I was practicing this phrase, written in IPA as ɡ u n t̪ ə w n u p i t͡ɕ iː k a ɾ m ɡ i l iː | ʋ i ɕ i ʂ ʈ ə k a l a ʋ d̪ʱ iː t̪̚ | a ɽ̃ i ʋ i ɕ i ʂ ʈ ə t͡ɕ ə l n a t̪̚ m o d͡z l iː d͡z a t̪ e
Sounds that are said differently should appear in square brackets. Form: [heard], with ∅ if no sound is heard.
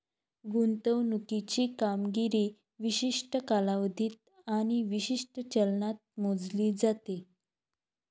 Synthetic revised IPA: ɡ u n t̪ ə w n u [k] i t͡ɕ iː k a [∅] m ɡ i [ɾ] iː | ʋ i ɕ i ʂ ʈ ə k a l a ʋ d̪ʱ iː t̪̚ | a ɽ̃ i ʋ i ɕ i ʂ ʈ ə t͡ɕ ə l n a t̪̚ m o d͡z l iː d͡z a t̪ e

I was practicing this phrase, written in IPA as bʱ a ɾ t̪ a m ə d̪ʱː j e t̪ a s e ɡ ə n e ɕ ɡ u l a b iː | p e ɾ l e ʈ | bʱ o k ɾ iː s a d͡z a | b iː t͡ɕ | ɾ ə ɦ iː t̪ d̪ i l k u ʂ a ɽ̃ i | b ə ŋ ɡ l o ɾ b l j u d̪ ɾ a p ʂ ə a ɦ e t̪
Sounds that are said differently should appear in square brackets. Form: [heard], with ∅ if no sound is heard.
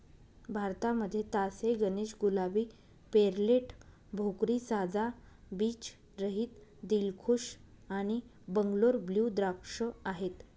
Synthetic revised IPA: bʱ a ɾ t̪ a m ə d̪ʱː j e t̪ a s e ɡ ə n e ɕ ɡ u l a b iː | p e ɾ l e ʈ | bʱ o k ɾ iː s a d͡z a | b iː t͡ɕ | ɾ ə ɦ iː t̪ d̪ i l [kʰ] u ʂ a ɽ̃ i | b ə ŋ ɡ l o ɾ b l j u d̪ ɾ a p ʂ ə a ɦ e t̪

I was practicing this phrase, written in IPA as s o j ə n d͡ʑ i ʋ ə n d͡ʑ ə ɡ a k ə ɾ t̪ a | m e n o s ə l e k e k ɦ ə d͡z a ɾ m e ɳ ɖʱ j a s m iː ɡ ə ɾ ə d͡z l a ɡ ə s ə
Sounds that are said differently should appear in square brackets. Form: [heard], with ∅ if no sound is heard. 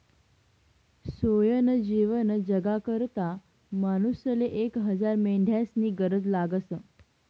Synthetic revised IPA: s o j ə n d͡ʑ i ʋ ə n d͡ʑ ə ɡ a k ə ɾ t̪ a | m [a] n [u] s ə l e [ʔ] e k ɦ ə d͡z a ɾ m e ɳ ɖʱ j a s [n] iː ɡ ə ɾ ə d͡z l a ɡ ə s ə

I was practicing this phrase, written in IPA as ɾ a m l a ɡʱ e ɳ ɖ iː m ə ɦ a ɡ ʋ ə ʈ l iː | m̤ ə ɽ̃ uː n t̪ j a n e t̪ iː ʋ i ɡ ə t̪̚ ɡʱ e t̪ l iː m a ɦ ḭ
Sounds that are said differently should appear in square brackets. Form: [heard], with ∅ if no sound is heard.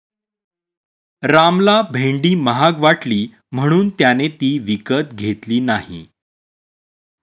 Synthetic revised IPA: ɾ a m l a [bʱ] e ɳ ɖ iː m ə ɦ a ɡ ʋ [a] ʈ l iː | m̤ ə ɽ̃ uː n t̪ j a n e t̪ iː ʋ i [k] ə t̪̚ ɡʱ e t̪ l iː [n] a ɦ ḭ

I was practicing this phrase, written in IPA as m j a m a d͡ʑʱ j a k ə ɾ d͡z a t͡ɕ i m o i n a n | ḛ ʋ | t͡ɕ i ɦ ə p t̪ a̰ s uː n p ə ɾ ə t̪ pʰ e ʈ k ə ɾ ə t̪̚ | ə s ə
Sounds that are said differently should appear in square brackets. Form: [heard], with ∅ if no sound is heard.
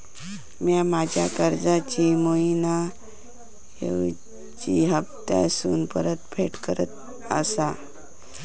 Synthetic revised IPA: m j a m a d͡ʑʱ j a k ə ɾ d͡z a t͡ɕ i m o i n a [∅] | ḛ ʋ | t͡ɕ i ɦ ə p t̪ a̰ s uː n p ə ɾ ə t̪ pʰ e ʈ k ə ɾ ə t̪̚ | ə s [a]

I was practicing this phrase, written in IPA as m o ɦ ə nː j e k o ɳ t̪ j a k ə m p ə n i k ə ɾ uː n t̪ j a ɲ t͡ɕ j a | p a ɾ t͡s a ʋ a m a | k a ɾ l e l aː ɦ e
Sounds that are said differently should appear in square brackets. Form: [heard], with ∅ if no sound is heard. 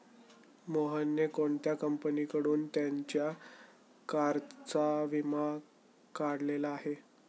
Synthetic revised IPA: m o ɦ ə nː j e k o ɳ t̪ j a k ə m p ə n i k ə [ɽ] uː n t̪ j a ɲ t͡ɕ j a | [k] a ɾ t͡s a ʋ [i] m a | k a [ɽ] l e l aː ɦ e

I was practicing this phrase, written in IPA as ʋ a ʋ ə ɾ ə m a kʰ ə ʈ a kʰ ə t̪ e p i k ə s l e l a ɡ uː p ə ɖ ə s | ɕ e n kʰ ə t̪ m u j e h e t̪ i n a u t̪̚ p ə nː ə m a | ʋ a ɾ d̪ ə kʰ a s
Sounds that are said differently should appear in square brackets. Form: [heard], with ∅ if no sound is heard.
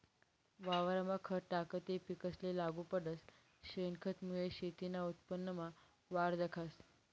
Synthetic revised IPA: ʋ a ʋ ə ɾ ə m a kʰ ə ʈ a [k] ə t̪ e p i k ə s l e l a ɡ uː p ə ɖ ə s | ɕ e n kʰ ə t̪ m u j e [ɕ] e t̪ i n a u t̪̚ p ə nː ə m a | ʋ a ɾ d̪ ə kʰ a s

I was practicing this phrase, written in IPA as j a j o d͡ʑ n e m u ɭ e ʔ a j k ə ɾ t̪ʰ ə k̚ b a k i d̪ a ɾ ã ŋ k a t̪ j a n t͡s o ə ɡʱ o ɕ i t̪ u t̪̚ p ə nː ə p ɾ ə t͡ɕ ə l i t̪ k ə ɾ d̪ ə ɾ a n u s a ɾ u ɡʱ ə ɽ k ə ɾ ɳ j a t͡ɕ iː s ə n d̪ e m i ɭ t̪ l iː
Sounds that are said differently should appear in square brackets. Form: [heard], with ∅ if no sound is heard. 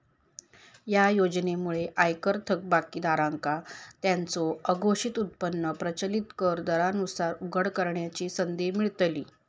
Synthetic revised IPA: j a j o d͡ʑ n e m u ɭ e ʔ a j k ə ɾ t̪ʰ ə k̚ b a k i d̪ a ɾ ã ŋ k a t̪ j a n t͡s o ə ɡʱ o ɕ i t̪ u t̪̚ p ə nː ə p ɾ ə t͡ɕ ə l i t̪ k ə ɾ d̪ ə ɾ a n u s a ɾ u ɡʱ ə ɽ k ə ɾ ɳ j a t͡ɕ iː s ə n d̪ e m i ɭ t̪ l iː

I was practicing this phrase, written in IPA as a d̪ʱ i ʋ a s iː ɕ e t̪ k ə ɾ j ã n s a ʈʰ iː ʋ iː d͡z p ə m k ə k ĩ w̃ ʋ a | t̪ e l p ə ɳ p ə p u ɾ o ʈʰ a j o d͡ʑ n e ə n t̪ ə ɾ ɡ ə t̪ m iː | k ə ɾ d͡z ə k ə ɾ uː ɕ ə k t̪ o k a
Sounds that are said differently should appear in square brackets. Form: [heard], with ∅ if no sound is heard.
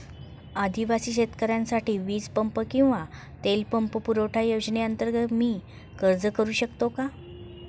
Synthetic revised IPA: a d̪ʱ i ʋ a s iː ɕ e t̪ k ə ɾ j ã n s a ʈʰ iː ʋ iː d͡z p ə m [p] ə k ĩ w̃ ʋ a | t̪ e l p ə [m] p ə p u ɾ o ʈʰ a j o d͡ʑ n e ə n t̪ ə ɾ ɡ ə t̪ m iː | k ə ɾ d͡z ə k ə ɾ uː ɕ ə k t̪ o k a

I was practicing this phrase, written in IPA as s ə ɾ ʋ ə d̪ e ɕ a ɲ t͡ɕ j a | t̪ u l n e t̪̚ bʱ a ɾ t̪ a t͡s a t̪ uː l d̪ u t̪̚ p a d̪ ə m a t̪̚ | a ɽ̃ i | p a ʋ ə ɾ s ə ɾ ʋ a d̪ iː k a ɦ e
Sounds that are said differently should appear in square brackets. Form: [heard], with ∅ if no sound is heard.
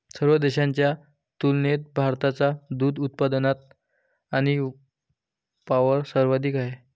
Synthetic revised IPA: s ə ɾ ʋ ə d̪ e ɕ a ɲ t͡ɕ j a | t̪ u l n e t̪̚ bʱ a ɾ t̪ a t͡s a [d̪] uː [∅] d̪ u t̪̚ p a d̪ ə [n] a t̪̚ | a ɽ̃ i | p a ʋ ə ɾ s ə ɾ ʋ a d̪ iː k a ɦ e

